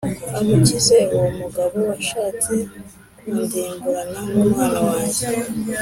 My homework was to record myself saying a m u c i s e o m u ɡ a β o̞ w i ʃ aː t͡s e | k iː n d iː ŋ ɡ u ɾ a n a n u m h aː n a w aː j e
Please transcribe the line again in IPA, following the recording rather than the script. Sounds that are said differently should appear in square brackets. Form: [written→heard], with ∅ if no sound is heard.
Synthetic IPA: a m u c i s e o m u ɡ a β o̞ w [i→a] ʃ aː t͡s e | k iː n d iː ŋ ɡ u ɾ a n a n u m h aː n a w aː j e

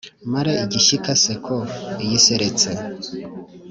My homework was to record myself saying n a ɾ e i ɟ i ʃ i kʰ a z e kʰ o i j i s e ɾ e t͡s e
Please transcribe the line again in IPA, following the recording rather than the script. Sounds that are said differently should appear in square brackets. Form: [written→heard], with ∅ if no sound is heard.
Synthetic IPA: [n→m] a ɾ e i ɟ i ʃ i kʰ a [z→s] e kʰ o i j i s e ɾ e t͡s e

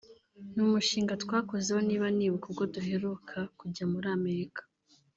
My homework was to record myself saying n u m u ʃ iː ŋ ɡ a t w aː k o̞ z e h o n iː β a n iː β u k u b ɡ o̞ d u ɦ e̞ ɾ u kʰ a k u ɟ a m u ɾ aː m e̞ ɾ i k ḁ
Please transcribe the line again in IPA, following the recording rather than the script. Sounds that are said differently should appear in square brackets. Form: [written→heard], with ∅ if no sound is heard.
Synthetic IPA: n u m u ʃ iː ŋ ɡ a t w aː k o̞ z e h o n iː β a n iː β u k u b ɡ o̞ d u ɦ e̞ ɾ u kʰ a k u ɟ a m u ɾ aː m e̞ ɾ i k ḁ

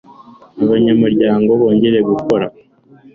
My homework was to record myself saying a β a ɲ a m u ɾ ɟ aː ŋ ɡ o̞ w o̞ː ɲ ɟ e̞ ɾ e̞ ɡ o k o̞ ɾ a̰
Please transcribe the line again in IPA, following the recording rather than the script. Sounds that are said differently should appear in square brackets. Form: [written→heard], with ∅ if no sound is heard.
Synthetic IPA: a β a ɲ a m u ɾ ɟ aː ŋ ɡ o̞ [w→β] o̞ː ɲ ɟ e̞ ɾ e̞ ɡ [o→u] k o̞ ɾ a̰

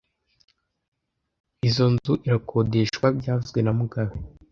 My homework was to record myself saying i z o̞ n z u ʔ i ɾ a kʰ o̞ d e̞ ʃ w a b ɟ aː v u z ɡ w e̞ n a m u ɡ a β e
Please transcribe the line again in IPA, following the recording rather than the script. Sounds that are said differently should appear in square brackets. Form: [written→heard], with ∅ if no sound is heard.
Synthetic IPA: i z o̞ n z u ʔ i ɾ a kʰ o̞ d e̞ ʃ w a b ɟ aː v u z ɡ w e̞ n a m u ɡ a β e

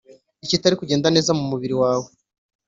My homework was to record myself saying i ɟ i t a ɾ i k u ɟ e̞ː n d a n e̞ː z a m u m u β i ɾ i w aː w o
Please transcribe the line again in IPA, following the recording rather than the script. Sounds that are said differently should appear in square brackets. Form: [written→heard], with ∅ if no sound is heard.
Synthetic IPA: i [ɟ→c] i t a ɾ i k u ɟ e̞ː n d a n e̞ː z a m u m u β i ɾ i w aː w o

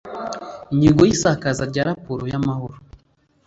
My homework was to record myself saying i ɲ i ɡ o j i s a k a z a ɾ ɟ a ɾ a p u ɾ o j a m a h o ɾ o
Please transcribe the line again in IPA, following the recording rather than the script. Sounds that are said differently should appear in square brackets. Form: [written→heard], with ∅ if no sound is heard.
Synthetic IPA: i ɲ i ɡ o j i s a k a z a ɾ ɟ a ɾ a p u ɾ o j a m a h o ɾ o

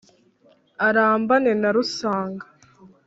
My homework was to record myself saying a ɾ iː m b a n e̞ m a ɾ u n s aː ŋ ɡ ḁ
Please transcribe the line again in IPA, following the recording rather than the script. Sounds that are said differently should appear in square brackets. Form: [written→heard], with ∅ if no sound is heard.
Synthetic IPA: a ɾ [iː→aː] m b a n e̞ [m→n] a ɾ u [n→∅] s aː ŋ ɡ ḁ

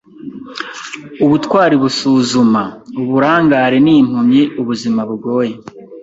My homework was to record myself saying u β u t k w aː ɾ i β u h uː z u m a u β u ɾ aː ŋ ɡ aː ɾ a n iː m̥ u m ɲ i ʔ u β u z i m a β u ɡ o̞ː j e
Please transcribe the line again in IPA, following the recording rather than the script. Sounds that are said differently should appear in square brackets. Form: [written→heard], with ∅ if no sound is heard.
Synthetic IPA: u β u t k w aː ɾ i β u [h→s] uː z u m a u β u ɾ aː ŋ ɡ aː ɾ [a→e] n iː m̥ u m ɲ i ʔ u β u z i m a β u ɡ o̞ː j e

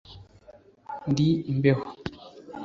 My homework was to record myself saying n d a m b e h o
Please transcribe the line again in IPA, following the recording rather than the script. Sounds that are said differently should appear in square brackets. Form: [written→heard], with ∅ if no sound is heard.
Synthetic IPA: n d [a→i] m b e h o

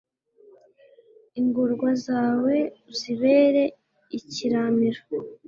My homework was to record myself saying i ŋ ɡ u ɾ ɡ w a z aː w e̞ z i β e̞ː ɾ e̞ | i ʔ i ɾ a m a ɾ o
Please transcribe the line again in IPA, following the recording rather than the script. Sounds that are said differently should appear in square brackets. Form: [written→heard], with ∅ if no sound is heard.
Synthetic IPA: i ŋ ɡ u ɾ ɡ w a z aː w e̞ z i β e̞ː ɾ e̞ | i [ʔ→c] i ɾ a m [a→i] ɾ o

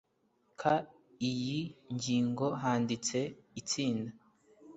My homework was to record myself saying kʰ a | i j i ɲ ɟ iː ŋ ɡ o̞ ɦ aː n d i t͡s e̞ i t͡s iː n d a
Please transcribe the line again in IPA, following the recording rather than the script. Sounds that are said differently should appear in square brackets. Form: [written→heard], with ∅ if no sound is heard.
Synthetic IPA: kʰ a | i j i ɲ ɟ iː ŋ ɡ o̞ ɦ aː n d i t͡s e̞ i t͡s iː n d a

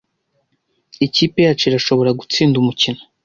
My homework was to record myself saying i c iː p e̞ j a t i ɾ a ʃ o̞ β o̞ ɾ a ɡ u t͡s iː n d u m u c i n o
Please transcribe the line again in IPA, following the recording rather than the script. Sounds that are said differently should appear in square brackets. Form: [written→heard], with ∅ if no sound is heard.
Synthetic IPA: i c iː p e̞ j a [t→t͡ʃ] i ɾ a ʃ o̞ β o̞ ɾ a ɡ u t͡s iː n d u m u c i n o

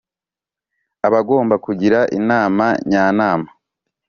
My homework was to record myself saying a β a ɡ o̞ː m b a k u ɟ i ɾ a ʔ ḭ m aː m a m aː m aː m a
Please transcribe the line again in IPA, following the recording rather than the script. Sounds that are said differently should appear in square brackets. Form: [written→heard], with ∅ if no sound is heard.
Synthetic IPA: a β a ɡ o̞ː m b a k u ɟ i ɾ a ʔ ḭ [m→n] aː m a [m→ɲ] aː [m→n] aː m a

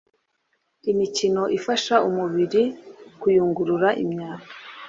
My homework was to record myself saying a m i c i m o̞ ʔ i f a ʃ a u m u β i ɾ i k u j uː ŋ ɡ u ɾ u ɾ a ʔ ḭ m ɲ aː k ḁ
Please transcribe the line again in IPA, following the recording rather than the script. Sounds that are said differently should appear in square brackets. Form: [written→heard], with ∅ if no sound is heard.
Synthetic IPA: [a→i] m i c i [m→n] o̞ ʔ i f a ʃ a u m u β i ɾ i k u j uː ŋ ɡ u ɾ u ɾ a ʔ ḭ m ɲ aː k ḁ

